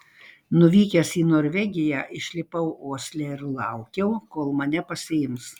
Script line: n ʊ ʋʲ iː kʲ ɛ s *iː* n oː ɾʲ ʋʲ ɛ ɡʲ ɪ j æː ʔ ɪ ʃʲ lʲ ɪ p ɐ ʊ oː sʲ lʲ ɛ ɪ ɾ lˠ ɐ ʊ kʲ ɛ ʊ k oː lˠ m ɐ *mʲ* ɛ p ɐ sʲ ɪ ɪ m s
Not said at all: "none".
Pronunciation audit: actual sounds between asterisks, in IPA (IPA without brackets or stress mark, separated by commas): iː, nʲ